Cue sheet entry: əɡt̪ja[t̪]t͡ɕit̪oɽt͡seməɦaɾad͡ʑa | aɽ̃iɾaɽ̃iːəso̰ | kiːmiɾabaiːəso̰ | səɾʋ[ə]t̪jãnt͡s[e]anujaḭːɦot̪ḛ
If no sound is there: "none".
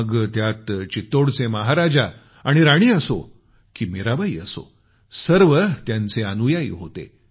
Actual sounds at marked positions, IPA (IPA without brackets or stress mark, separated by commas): t̪, ə, e